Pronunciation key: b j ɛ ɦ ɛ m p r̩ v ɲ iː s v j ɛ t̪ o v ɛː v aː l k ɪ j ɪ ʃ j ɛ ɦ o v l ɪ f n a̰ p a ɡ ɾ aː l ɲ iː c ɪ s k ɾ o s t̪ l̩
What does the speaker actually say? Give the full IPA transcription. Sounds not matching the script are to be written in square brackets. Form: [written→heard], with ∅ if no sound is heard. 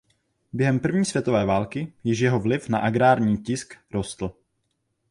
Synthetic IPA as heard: b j ɛ ɦ ɛ m p r̩ v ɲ iː s v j ɛ t̪ o v ɛː v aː l k ɪ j ɪ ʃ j ɛ ɦ o v l ɪ f n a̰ [p→ʔ] a ɡ ɾ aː [l→ɾ] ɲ iː c ɪ s k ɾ o s t̪ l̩

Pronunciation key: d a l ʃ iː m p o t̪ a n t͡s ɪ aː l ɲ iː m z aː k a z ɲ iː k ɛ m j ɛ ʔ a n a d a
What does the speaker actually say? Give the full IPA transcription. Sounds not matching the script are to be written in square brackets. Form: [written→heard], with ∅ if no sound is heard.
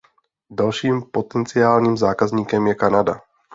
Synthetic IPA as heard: d a l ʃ iː m p o t̪ [a→ɛ] n t͡s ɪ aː l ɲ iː m z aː k a z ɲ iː k ɛ m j ɛ [ʔ→k] a n a d a

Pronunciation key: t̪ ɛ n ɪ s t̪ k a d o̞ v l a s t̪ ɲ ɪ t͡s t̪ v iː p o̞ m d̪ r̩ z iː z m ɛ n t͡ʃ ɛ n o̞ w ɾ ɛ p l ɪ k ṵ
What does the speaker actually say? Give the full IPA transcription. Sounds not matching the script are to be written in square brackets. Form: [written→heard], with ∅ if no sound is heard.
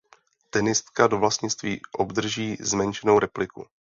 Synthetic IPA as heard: t̪ ɛ n ɪ s t̪ k a d o̞ v l a s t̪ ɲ ɪ t͡s t̪ v iː [p→ʔ] o̞ [m→b] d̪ r̩ [z→ʒ] iː z m ɛ n t͡ʃ ɛ n o̞ w ɾ ɛ p l ɪ k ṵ

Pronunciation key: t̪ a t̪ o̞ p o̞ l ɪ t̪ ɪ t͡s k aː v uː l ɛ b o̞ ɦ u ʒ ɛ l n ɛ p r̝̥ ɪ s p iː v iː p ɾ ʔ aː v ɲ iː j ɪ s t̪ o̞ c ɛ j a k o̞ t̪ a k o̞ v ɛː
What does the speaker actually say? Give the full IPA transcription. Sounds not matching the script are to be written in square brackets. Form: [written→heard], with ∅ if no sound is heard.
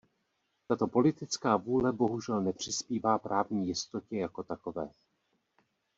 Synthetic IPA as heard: t̪ a t̪ o̞ p o̞ l ɪ t̪ ɪ t͡s k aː v uː l ɛ b o̞ ɦ u ʒ ɛ l n ɛ p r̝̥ ɪ s p iː v [iː→aː] p ɾ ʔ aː v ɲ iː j ɪ s t̪ o̞ c ɛ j a k o̞ t̪ a k o̞ v ɛː

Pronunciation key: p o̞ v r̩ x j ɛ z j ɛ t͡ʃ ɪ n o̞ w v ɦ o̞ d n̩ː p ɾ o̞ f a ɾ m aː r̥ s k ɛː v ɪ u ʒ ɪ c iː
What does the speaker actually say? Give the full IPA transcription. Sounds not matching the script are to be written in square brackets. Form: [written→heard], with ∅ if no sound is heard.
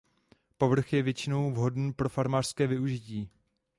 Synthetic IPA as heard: p o̞ v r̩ x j ɛ [z→v] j ɛ t͡ʃ ɪ n o̞ w v ɦ o̞ d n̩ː p ɾ o̞ f a ɾ m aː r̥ s k ɛː v ɪ u ʒ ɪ c iː

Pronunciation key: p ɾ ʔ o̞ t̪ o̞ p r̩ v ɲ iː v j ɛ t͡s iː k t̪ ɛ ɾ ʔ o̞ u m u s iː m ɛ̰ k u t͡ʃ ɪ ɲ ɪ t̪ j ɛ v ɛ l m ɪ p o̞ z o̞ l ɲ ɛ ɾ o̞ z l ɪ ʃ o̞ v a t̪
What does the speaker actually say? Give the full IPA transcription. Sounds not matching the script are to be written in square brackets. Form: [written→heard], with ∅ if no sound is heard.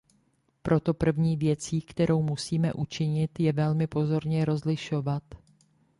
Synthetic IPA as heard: p ɾ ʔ o̞ t̪ o̞ p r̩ v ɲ iː v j ɛ t͡s iː k t̪ ɛ ɾ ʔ o̞ [u→w] m u s iː m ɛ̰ [k→ʔ] u t͡ʃ ɪ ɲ ɪ t̪ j ɛ v ɛ l m ɪ p o̞ z o̞ [l→ɾ] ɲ ɛ ɾ o̞ z l ɪ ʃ o̞ v a t̪

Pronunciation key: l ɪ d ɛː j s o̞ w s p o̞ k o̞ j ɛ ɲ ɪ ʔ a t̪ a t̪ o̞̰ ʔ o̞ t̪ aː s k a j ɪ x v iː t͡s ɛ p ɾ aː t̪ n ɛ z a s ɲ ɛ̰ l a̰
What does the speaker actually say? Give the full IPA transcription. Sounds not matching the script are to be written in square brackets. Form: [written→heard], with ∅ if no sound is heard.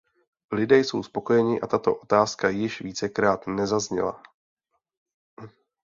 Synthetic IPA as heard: l ɪ d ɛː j s o̞ w s p o̞ k o̞ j ɛ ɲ ɪ ʔ a t̪ a t̪ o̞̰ ʔ o̞ t̪ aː s k a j ɪ [x→ʃ] v iː t͡s ɛ [p→k] ɾ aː t̪ n ɛ z a [s→z] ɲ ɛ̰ l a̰

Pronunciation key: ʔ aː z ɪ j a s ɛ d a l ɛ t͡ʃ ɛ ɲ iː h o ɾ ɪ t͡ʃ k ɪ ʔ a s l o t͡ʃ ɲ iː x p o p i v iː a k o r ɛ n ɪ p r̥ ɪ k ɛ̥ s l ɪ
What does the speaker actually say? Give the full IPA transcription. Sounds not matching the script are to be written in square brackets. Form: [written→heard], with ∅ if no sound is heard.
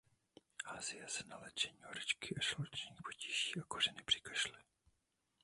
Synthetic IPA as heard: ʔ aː z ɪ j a s ɛ [d→n] a l ɛ t͡ʃ ɛ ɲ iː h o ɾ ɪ t͡ʃ k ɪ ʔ a [s→ʃ] l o t͡ʃ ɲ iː x p o [p→c] i [v→ʒ] iː a k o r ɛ n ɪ p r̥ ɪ k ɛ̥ [s→ʃ] l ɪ

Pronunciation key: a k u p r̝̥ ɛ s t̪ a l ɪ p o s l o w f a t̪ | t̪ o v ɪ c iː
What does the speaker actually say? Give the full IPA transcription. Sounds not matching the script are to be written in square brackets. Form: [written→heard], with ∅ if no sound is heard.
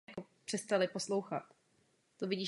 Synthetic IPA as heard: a k [u→o] p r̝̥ ɛ s t̪ a l ɪ p o s l o w [f→x] a t̪ | t̪ o v ɪ [c→ɟ] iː

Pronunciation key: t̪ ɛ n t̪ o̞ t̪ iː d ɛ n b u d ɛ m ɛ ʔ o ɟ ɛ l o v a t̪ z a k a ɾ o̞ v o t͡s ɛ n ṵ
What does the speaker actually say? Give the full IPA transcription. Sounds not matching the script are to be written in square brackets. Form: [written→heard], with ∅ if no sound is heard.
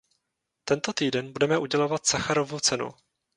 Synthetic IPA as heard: t̪ ɛ n t̪ o̞ t̪ iː d ɛ n b u d ɛ m ɛ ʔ [o→u] ɟ ɛ l o v a t̪ [z→s] a [k→x] a ɾ o̞ v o t͡s ɛ n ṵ

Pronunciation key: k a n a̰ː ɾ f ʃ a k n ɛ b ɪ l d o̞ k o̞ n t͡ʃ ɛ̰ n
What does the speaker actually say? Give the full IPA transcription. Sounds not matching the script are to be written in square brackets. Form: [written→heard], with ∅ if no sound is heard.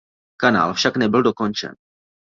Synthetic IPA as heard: k a n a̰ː [ɾ→l] f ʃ a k n ɛ b ɪ l d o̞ k o̞ n t͡ʃ ɛ̰ n

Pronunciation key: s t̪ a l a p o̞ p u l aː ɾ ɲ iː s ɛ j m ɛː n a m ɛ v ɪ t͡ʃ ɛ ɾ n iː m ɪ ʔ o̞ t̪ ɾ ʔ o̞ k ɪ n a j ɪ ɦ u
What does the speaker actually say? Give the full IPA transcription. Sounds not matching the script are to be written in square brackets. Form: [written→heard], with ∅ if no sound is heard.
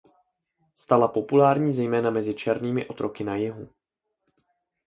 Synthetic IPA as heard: s t̪ a l a p o̞ p u l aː ɾ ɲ iː [s→z] ɛ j m ɛː n a m ɛ [v→z] ɪ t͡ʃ ɛ ɾ n iː m ɪ ʔ o̞ t̪ ɾ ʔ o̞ k ɪ n a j ɪ ɦ u

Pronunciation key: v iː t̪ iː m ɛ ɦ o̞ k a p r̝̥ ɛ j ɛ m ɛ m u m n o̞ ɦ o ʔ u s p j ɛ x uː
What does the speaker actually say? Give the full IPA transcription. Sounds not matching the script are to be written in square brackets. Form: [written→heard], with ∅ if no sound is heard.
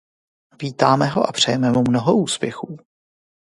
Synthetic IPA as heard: v iː t̪ [iː→aː] m ɛ ɦ o̞ [k→ʔ] a p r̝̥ ɛ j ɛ m ɛ m u m n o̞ ɦ o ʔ [u→uː] s p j ɛ x uː

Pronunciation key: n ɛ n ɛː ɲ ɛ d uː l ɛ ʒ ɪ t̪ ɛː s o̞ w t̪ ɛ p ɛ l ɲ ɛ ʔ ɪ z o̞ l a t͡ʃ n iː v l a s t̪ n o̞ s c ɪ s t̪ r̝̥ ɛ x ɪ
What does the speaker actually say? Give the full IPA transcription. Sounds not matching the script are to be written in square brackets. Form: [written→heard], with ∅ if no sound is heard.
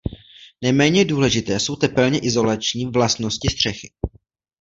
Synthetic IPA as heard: n ɛ [n→m] ɛː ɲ ɛ d uː l ɛ ʒ ɪ t̪ ɛː s o̞ w t̪ ɛ p ɛ l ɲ ɛ ʔ ɪ z o̞ l a t͡ʃ [n→ɲ] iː v l a s t̪ n o̞ s c ɪ s t̪ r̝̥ ɛ x ɪ

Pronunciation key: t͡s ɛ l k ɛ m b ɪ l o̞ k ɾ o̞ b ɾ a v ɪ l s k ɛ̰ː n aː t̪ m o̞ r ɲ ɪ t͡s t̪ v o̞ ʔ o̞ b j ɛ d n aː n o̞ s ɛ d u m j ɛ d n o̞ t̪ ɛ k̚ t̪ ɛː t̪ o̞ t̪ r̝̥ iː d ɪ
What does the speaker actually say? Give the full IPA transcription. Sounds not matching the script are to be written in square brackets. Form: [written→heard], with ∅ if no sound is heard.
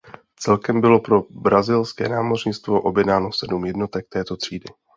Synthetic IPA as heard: t͡s ɛ l k ɛ m b ɪ l o̞ [k→p] ɾ o̞ b ɾ a [v→z] ɪ l s k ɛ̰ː n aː [t̪→∅] m o̞ r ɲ ɪ t͡s t̪ v o̞ ʔ o̞ b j ɛ d n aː n o̞ s ɛ d u m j ɛ d n o̞ t̪ ɛ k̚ t̪ ɛː t̪ o̞ t̪ r̝̥ iː d ɪ

